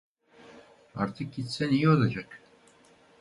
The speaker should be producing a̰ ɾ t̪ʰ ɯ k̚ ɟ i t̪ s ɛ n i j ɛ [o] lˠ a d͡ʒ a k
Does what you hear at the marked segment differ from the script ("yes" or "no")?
no